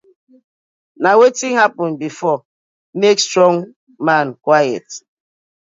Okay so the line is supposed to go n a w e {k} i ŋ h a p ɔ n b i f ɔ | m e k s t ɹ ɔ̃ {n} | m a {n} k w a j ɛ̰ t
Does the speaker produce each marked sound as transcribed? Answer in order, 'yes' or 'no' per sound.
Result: no, no, yes

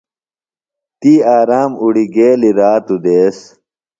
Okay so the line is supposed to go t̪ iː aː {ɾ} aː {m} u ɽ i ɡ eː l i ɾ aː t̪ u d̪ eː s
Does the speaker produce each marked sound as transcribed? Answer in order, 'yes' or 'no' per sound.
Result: yes, yes

